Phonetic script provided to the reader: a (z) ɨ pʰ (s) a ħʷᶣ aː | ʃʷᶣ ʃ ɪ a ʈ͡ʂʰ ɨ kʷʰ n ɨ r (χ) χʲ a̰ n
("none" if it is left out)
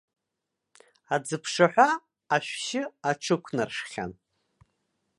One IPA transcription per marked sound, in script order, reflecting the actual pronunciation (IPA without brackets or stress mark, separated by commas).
d͡z, ʂ, ʂ